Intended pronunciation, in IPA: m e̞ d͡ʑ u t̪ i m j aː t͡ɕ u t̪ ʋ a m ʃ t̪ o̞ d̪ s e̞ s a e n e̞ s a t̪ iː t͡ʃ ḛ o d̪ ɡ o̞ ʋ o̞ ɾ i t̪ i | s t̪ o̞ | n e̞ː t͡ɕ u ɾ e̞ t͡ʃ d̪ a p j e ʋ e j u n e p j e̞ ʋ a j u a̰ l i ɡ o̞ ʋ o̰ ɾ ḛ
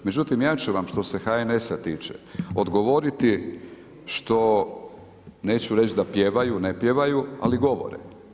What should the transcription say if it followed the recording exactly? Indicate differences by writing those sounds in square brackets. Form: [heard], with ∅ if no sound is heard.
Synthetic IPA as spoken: m e̞ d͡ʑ u t̪ i m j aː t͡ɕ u [∅] ʋ a m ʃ t̪ o̞ [∅] s e̞ [x] a e n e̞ s a t̪ iː t͡ʃ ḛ o d̪ ɡ o̞ ʋ o̞ ɾ i t̪ i | [ʃ] t̪ o̞ | n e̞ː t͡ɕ u ɾ e̞ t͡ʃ d̪ a p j e ʋ [a] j u n e p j e̞ ʋ a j u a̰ l i ɡ o̞ ʋ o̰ ɾ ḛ